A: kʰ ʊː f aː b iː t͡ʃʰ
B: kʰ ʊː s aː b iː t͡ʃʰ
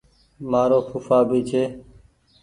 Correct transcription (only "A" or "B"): A